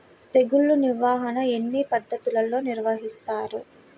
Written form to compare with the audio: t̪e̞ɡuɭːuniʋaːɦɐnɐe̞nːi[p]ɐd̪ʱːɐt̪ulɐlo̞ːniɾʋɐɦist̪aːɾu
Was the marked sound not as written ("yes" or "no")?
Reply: no